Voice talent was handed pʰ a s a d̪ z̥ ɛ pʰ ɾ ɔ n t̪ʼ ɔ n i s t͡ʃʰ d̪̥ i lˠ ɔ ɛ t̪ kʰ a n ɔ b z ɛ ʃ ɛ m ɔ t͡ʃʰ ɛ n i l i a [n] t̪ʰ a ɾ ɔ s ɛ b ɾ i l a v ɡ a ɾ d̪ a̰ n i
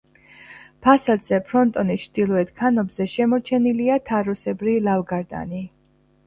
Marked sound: incorrect: none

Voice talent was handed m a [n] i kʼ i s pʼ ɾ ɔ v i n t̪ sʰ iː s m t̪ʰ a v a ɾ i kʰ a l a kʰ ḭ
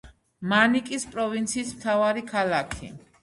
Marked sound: correct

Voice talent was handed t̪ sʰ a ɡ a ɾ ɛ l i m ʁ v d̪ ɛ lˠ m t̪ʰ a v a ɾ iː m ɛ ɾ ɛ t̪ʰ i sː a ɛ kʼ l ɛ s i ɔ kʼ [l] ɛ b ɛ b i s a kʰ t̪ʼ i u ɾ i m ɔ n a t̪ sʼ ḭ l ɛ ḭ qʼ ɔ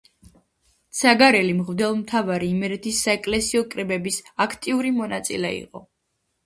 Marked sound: incorrect: ɾ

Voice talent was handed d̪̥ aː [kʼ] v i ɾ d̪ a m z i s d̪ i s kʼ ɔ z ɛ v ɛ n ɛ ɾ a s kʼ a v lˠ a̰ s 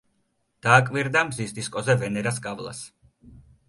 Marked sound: correct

